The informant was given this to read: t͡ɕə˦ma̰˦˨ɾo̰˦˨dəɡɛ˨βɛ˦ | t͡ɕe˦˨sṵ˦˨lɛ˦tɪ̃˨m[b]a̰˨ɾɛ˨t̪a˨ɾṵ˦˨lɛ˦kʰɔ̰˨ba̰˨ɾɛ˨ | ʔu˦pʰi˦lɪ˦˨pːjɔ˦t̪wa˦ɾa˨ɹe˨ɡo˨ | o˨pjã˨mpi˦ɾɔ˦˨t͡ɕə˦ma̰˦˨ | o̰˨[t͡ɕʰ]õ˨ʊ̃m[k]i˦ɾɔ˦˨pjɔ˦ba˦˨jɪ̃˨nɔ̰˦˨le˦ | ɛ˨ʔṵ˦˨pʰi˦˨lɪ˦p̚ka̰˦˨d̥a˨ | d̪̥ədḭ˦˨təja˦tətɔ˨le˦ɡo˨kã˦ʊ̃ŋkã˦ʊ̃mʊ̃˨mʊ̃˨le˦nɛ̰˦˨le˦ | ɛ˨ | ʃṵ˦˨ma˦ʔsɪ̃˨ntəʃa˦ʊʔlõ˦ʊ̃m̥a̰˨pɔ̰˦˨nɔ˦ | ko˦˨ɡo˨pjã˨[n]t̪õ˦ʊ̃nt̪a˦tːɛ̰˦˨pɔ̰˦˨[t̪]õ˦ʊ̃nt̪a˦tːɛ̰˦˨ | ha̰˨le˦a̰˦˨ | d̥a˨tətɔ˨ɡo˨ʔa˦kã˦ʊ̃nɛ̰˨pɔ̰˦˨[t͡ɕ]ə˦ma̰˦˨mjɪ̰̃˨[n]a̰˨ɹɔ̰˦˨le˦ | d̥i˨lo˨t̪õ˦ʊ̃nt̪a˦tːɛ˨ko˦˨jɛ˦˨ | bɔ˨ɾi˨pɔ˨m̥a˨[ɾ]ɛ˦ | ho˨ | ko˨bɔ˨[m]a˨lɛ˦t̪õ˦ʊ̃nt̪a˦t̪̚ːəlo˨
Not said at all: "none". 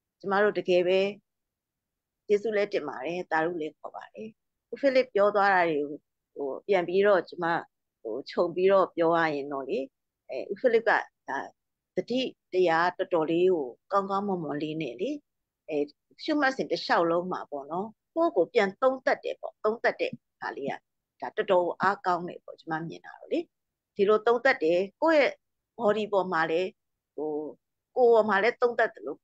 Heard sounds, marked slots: b, t͡ɕʰ, p, n, t̪, t͡ɕ, n, l, m

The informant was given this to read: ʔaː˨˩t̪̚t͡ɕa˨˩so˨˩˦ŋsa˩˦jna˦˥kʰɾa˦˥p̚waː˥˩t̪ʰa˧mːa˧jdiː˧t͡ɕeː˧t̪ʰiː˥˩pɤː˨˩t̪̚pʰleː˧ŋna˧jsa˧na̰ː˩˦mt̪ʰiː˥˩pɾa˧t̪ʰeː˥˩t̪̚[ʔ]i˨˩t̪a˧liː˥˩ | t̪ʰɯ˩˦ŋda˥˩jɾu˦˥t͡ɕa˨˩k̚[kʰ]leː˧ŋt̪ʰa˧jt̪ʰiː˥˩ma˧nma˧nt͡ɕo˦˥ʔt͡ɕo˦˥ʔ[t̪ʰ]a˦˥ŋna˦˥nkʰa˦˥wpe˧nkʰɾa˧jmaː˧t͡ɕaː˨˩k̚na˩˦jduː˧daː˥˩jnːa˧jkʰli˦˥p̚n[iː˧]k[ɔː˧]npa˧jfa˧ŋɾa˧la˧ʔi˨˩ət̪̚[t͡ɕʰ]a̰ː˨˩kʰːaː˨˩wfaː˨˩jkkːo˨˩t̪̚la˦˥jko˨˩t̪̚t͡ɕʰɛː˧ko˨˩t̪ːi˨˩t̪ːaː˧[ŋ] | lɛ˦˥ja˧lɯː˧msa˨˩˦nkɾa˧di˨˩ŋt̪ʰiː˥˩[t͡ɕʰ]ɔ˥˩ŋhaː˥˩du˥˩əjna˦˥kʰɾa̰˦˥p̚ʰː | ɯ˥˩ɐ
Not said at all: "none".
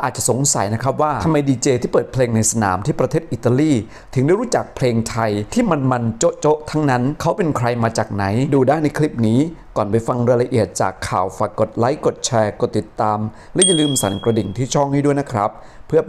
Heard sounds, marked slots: ʔ, pʰ, t̪ʰ, iː˦˥, ɔː˨˩, t͡ɕ, m, t͡ɕʰ

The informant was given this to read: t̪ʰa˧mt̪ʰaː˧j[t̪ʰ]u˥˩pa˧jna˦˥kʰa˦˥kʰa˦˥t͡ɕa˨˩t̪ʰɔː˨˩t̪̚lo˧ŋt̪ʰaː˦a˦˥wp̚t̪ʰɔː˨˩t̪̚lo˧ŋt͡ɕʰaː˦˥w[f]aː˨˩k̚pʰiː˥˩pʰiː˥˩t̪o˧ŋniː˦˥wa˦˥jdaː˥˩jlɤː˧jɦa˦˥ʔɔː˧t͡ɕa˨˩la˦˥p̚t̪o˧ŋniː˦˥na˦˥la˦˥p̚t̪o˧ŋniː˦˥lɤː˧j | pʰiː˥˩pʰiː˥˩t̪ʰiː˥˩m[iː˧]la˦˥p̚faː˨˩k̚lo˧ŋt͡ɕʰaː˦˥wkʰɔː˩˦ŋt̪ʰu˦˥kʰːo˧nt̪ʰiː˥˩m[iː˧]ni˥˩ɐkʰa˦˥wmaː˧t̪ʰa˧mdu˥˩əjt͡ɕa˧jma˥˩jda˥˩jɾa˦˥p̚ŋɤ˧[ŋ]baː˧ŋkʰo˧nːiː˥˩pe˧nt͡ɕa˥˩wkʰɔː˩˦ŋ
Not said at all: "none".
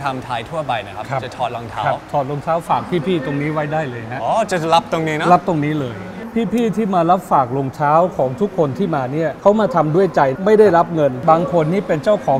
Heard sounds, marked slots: t̪ʰ, f, aː˧, aː˧, n

